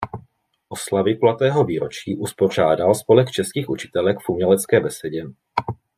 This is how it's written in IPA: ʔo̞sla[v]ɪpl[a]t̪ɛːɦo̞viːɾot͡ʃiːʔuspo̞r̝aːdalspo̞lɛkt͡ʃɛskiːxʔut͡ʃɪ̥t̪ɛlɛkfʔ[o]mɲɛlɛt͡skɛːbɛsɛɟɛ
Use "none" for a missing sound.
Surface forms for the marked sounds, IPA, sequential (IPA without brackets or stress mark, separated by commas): v, a, u